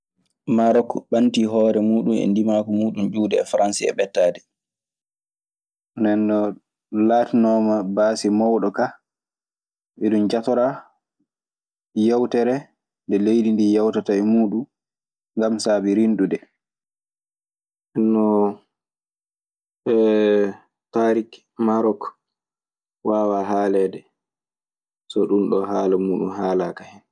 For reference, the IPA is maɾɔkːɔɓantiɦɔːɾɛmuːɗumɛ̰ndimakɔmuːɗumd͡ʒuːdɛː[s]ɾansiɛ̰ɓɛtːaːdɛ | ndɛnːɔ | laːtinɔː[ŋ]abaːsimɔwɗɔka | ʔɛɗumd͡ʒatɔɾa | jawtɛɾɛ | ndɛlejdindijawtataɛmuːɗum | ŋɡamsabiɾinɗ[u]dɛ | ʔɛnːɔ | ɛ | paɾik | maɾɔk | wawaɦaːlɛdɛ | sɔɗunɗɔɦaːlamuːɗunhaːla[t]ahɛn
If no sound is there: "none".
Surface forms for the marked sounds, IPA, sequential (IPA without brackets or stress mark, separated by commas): f, m, u, k